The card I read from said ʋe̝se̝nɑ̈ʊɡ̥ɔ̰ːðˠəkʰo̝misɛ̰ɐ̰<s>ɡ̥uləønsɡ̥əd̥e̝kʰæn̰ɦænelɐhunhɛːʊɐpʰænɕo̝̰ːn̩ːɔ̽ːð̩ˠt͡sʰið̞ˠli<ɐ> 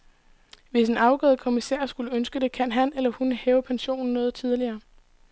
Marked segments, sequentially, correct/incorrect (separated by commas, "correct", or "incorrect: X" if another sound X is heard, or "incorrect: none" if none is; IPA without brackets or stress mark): correct, incorrect: ɐː